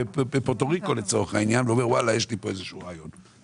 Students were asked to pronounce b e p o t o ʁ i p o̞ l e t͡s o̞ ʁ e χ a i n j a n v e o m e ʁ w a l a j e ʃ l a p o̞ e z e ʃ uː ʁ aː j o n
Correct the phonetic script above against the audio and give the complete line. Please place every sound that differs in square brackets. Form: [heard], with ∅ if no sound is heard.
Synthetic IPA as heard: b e p o t o ʁ i [k] o̞ l e t͡s o̞ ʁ e χ a i n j a n v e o m e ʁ w a l a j e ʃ l [i] p o̞ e z e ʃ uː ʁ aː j o n